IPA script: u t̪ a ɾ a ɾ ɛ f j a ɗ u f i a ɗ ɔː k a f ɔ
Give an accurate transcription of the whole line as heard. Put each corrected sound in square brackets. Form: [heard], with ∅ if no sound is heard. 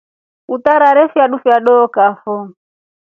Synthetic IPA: u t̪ a ɾ a ɾ ɛ f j a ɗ u f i a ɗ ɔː k a f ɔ

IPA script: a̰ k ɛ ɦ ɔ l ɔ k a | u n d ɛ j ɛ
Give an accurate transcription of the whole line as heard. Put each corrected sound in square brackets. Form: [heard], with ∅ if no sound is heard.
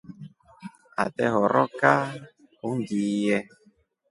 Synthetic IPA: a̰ [t] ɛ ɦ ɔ [ɾ] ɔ k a | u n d [i] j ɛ

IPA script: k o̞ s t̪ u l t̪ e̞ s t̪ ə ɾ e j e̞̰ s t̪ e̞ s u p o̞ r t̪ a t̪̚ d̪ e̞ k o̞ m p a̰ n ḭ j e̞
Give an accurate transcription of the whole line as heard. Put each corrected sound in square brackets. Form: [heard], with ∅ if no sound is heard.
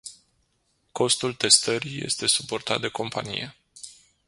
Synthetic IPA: k o̞ s t̪ u l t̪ e̞ s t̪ ə ɾ [i] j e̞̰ s t̪ e̞ s u p o̞ r t̪ a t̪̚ d̪ e̞ k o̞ m p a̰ n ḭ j e̞

